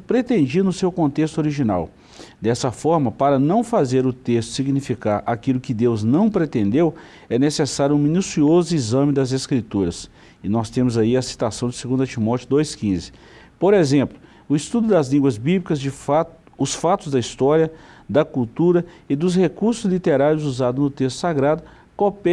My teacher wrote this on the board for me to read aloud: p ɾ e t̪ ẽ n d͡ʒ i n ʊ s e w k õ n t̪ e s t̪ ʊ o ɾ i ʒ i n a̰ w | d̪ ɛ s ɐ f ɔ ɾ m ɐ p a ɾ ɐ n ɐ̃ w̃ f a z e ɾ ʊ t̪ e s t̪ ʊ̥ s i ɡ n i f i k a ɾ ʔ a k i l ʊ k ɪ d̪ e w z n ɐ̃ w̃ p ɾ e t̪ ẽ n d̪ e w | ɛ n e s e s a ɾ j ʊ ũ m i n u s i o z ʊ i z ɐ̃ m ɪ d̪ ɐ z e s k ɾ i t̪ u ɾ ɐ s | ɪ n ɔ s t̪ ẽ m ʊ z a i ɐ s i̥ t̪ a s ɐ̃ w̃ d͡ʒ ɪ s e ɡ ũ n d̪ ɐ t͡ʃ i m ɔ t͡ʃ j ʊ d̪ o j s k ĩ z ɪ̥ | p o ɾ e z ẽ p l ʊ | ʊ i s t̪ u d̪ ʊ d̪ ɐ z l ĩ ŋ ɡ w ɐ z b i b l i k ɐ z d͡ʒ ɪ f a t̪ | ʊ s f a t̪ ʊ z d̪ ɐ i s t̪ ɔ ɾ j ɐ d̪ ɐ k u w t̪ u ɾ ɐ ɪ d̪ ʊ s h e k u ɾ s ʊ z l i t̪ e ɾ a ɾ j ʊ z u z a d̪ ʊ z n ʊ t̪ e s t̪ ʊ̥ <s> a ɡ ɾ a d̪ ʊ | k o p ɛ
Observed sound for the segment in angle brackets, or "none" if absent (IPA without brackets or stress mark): s